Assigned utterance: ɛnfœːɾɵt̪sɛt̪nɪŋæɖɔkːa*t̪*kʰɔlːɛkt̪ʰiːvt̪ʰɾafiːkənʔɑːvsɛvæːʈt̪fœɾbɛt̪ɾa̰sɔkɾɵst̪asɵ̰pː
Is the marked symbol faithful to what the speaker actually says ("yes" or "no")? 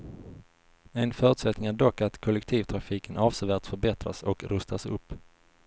yes